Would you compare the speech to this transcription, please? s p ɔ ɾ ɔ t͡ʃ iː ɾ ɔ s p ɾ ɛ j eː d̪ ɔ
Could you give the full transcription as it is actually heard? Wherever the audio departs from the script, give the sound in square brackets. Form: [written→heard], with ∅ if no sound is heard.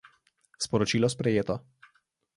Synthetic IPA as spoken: s p ɔ ɾ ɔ t͡ʃ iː [ɾ→l] ɔ s p ɾ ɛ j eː [d̪→t̪] ɔ